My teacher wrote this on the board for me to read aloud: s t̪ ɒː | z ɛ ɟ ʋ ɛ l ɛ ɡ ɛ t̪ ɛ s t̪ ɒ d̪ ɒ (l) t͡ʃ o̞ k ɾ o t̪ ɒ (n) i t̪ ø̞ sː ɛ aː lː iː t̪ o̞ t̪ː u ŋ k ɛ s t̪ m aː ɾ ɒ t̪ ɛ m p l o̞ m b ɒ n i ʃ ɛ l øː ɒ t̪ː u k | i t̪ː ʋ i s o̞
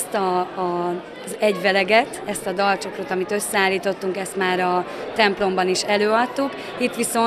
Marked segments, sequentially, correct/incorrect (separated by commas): correct, incorrect